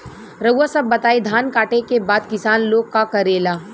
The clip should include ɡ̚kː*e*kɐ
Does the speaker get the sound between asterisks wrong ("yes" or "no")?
yes